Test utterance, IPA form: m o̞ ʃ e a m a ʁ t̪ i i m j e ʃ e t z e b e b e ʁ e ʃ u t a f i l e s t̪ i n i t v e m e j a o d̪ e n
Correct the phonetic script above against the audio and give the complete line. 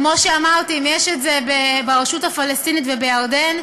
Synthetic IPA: m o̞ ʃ e a m a ʁ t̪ i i m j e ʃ e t z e b e b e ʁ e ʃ u t a f a l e s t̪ i n i t v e b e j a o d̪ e n